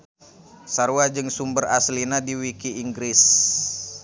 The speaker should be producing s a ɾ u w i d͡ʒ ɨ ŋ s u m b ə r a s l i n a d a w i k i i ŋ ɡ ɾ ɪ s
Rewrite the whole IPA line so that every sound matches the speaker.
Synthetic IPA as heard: s a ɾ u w a d͡ʒ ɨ ŋ s u m b ə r a s l i n a d i w i k i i ŋ ɡ ɾ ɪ s